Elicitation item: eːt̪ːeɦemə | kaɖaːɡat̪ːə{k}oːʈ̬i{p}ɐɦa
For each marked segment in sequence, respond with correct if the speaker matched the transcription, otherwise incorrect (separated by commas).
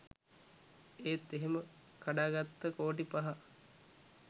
correct, correct